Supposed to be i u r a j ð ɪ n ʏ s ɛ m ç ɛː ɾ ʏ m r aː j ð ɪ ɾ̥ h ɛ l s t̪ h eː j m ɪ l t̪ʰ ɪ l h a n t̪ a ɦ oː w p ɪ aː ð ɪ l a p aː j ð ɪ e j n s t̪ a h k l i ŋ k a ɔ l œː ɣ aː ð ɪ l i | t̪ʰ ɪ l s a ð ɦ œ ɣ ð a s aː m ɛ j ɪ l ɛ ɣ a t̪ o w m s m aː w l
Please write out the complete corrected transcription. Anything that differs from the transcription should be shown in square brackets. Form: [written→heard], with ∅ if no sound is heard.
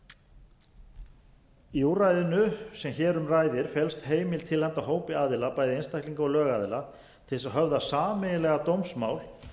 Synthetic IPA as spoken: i u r a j ð ɪ n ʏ s ɛ m ç ɛː ɾ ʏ m r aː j ð ɪ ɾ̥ [h→f] ɛ l s t̪ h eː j m ɪ l t̪ʰ ɪ l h a n t̪ a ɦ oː w p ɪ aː ð ɪ l a p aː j ð ɪ e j n s t̪ a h k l i ŋ k a ɔ l œː ɣ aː ð ɪ l [i→a] | t̪ʰ ɪ l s a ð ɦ œ [ɣ→v] ð a s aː m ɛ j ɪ l ɛ ɣ a t̪ o w m s m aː w l

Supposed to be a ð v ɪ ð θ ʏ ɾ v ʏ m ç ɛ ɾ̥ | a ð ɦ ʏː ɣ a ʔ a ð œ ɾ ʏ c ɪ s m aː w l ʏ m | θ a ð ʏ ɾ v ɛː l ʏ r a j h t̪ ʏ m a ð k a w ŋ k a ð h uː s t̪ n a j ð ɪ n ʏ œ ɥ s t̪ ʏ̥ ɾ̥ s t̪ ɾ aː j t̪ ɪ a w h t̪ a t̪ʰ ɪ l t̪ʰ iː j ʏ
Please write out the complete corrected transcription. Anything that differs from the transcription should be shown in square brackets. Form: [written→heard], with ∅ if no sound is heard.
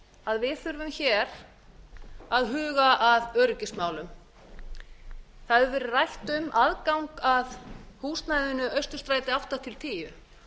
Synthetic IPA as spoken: a ð v ɪ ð θ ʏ ɾ v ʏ m ç ɛ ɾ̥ | a ð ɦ ʏː ɣ a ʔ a ð œ ɾ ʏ c ɪ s m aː w l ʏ m | θ a ð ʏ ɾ v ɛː [l→ɾ] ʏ r a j h t̪ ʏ m a ð k a w ŋ k a ð h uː s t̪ n a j ð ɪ n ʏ œ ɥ s t̪ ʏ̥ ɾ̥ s t̪ ɾ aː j t̪ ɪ a w h t̪ a t̪ʰ ɪ l t̪ʰ iː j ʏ

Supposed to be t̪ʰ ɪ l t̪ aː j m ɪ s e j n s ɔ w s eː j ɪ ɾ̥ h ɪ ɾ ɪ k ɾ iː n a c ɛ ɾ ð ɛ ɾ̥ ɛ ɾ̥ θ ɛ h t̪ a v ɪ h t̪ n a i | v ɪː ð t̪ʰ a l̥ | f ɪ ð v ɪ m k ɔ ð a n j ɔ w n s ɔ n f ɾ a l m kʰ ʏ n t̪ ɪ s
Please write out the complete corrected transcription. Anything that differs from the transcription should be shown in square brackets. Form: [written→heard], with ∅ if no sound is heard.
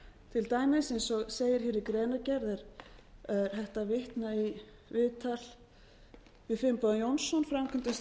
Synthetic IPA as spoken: t̪ʰ ɪ l t̪ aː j m ɪ s e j n s ɔ [w→ɣ] s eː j ɪ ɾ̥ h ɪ ɾ ɪ k ɾ [iː→ɛː] n a c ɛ ɾ ð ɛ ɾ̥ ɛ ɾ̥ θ ɛ h t̪ a v ɪ h t̪ n a i | v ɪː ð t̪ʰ a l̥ | [f→v] ɪ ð [v→f] ɪ m [k→p] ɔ ð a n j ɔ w n s ɔ n f ɾ a [l→∅] m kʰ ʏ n t̪ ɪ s

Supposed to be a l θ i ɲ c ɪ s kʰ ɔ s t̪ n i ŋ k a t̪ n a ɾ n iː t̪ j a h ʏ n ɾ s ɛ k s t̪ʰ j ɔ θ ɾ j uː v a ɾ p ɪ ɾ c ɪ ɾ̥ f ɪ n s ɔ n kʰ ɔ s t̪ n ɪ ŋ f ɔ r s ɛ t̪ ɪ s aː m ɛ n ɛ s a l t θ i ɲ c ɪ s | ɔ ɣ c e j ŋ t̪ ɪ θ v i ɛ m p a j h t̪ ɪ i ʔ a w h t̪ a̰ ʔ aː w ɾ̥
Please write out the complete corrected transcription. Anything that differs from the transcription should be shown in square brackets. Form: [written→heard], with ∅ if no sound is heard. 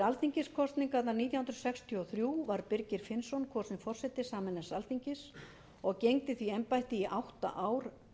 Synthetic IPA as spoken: a l θ i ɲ c ɪ s kʰ ɔ s t̪ n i ŋ k a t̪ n a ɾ n iː t̪ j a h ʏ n ɾ s ɛ k s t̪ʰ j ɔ θ ɾ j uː v a ɾ p ɪ ɾ c ɪ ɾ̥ f ɪ n s ɔ n kʰ ɔ s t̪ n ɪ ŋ f ɔ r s ɛ t̪ ɪ s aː m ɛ n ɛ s a l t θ i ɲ c ɪ s | ɔ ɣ c e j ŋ t̪ ɪ θ v i ɛ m p a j h t̪ ɪ i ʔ a w h t̪ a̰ ʔ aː w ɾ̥

